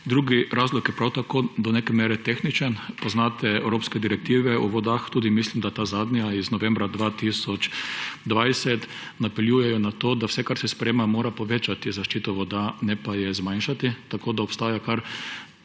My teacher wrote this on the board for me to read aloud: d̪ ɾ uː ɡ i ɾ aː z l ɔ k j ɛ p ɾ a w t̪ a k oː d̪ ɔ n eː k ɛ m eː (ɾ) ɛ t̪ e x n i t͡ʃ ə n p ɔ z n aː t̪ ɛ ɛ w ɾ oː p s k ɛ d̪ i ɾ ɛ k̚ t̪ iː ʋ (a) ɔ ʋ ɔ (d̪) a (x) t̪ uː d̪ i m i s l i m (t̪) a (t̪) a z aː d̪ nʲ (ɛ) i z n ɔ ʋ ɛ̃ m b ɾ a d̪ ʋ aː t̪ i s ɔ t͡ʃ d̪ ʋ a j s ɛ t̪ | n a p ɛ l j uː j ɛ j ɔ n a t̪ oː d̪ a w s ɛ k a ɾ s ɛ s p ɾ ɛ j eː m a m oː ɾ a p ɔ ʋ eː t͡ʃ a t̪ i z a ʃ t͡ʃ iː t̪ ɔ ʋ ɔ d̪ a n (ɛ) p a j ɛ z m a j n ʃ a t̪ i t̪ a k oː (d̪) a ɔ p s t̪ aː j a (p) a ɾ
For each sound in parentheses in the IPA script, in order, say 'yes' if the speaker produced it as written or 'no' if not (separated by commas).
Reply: yes, no, yes, yes, no, yes, no, yes, yes, no